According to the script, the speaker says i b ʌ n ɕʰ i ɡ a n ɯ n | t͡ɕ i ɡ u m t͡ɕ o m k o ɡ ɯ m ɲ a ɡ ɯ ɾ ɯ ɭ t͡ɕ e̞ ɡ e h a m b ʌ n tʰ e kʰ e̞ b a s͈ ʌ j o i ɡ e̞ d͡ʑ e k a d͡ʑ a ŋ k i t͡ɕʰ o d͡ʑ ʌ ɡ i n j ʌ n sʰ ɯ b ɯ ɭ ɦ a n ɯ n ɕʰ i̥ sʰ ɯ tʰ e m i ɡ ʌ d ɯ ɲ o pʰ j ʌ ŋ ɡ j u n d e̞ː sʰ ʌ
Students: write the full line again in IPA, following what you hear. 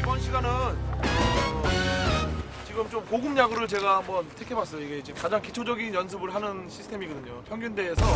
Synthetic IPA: i b ʌ n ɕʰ i ɡ a n ɯ n | t͡ɕ i ɡ ɯ m t͡ɕ o m k o ɡ ɯ m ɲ a ɡ ɯ ɾ ɯ ɭ t͡ɕ e̞ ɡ a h a m b ʌ n tʰ e kʰ e̞ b a s͈ ʌ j o i ɡ e̞ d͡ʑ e k a d͡ʑ a ŋ k i t͡ɕʰ o d͡ʑ ʌ ɡ i n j ʌ n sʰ ɯ b ɯ ɭ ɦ a n ɯ n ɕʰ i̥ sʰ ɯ tʰ e m i ɡ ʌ d ɯ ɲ o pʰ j ʌ ŋ ɡ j u n d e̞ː sʰ ʌ